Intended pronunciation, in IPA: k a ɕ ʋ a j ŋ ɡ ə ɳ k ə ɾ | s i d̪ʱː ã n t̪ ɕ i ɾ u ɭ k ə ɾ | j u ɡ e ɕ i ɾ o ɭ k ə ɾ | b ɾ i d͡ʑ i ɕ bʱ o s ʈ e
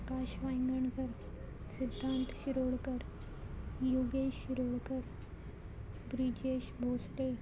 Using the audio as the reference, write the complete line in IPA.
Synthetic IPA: k a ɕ ʋ a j ŋ ɡ ə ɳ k ə ɾ | s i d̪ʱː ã n t̪ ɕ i ɾ o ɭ k ə ɾ | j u ɡ e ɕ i ɾ o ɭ k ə ɾ | b ɾ i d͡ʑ e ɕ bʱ o s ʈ e

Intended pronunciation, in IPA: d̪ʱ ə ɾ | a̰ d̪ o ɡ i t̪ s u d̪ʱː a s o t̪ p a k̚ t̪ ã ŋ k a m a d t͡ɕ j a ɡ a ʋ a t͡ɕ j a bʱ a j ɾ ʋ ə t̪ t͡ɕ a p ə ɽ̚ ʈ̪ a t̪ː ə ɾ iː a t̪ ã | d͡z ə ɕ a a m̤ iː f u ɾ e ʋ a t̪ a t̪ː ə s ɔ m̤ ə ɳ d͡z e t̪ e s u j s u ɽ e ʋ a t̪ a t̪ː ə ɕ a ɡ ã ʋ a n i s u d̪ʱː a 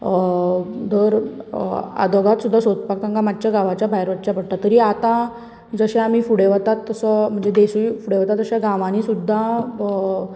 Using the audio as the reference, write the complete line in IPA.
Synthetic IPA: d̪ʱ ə ɾ | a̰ d̪ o ɡ a t̪ s u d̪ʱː a s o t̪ p a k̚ t̪ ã ŋ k a m a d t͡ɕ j a ɡ a ʋ a t͡ɕ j a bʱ a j ɾ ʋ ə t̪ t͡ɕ a p ə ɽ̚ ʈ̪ a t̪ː ə ɾ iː a t̪ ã | d͡z ə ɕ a a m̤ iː f u ɽ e ʋ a t̪ a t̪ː ə s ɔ m̤ ə ɳ d͡z e d̪ e s u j f u ɽ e ʋ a t̪ a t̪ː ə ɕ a ɡ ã ʋ a n i s u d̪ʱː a

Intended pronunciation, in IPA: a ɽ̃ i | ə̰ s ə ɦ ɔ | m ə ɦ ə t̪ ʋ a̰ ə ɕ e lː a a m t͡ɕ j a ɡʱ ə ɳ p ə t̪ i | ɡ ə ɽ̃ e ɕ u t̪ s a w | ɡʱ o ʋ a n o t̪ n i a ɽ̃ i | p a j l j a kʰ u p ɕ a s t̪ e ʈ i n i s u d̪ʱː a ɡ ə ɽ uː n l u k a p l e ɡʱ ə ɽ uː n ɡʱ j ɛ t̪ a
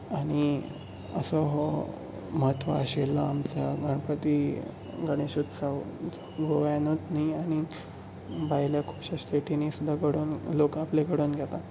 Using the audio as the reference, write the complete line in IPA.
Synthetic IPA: a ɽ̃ i | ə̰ s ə ɦ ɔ | m ə ɦ ə t̪ ʋ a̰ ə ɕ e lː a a m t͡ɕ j a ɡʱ ə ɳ p ə t̪ i | ɡ ə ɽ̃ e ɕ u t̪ s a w | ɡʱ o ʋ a n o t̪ n i a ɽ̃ i | b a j l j a kʰ u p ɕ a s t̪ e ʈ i n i s u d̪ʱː a ɡ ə ɽ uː n l o k a p l e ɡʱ ə ɽ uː n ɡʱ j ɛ t̪ a

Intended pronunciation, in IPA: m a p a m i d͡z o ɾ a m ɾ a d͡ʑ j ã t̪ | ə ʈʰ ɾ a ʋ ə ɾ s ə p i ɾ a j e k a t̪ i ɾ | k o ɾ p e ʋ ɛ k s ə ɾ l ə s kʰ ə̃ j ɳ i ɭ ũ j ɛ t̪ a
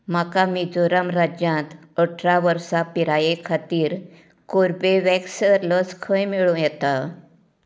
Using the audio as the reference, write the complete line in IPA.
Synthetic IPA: m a k a m i d͡z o ɾ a m ɾ a d͡ʑ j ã t̪ | ə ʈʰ ɾ a ʋ ə ɾ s a p i ɾ a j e kʰ a t̪ iː ɾ | k o ɾ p e ʋ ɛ k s ə ɾ l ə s kʰ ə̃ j m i ɭ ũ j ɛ t̪ a

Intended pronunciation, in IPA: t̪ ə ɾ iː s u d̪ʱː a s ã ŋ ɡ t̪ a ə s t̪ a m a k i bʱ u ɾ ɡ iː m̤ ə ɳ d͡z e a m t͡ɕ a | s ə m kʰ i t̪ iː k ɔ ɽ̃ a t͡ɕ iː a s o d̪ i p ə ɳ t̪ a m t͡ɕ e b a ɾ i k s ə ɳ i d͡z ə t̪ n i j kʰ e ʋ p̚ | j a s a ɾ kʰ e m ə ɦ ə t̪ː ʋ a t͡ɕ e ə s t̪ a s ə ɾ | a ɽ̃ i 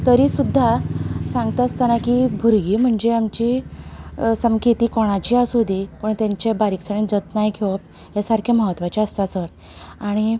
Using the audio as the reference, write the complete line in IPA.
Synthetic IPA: t̪ ə ɾ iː s u d̪ʱː a s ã ŋ ɡ t̪ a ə s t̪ a n a k i bʱ u ɾ ɡ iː m̤ ə ɳ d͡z e a m t͡ɕ i | s ə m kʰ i t̪ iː k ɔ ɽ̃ a t͡ɕ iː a s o d̪ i p ə ɳ t̪ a ɲ t͡ɕ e b a ɾ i k s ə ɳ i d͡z ə t̪ n a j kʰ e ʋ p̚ | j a s a ɾ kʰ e m ə ɦ ə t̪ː ʋ a t͡ɕ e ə s t̪ a s ə ɾ | a ɽ̃ i

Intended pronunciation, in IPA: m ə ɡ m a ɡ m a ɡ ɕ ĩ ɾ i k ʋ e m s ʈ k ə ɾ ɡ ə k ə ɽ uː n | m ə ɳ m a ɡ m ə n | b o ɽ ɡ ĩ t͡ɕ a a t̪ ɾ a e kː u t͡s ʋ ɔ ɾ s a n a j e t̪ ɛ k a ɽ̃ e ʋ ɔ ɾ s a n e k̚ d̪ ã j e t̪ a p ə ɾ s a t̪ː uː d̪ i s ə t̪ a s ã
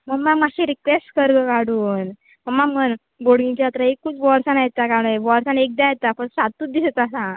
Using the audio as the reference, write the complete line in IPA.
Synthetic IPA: m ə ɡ m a ɡ m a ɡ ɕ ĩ ɾ i k ʋ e s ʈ k ə ɾ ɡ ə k a ɽ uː n | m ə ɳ m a ɡ m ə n | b o ɽ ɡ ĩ t͡ɕ a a t̪ ɾ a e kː u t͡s ʋ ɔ ɾ s a n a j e t̪ a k a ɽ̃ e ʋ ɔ ɾ s a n e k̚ d̪ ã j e t̪ a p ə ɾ s a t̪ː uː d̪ i s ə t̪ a s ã

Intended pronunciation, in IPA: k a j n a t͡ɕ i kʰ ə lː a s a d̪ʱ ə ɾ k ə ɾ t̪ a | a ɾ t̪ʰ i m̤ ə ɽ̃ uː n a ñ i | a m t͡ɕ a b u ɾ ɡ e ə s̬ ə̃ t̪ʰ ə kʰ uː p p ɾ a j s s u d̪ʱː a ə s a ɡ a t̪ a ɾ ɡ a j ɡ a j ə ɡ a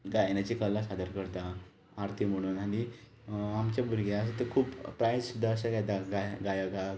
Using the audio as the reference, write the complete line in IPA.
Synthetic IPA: ɡ a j n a t͡ɕ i k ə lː a s a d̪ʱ ə ɾ k ə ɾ t̪ a | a ɾ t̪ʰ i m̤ ə ɽ̃ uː n a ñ i | a m t͡ɕ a b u ɾ ɡ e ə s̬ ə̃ t̪ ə kʰ uː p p ɾ a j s s u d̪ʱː a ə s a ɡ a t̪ a ɡ a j ɡ a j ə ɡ a

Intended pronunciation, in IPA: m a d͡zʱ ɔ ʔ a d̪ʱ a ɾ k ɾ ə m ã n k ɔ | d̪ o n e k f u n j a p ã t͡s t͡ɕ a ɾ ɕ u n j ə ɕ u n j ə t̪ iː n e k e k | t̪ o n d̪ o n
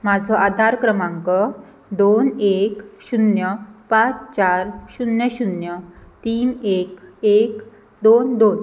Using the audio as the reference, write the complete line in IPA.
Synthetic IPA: m a d͡zʱ ɔ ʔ a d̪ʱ a ɾ k ɾ ə m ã ŋ k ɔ | d̪ o n e k ɕ u n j ə p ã t͡s t͡ɕ a ɾ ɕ u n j ə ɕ u n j ə t̪ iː n e k e k | d̪ o n d̪ o n

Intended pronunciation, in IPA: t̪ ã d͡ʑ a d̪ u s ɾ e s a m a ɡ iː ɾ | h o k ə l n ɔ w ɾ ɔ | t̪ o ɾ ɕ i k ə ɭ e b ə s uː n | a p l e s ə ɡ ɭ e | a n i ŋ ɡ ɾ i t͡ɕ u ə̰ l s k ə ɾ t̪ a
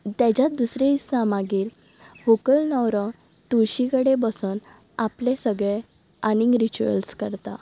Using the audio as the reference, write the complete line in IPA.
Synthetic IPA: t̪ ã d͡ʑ a d̪ u s ɾ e s a m a ɡ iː ɾ | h o k ə l n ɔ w ɾ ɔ | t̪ u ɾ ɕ i k ə ɽ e b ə s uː n | a p l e s ə ɡ ɭ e | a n i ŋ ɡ ɾ i t͡ɕ u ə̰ l s k ə ɾ t̪ a

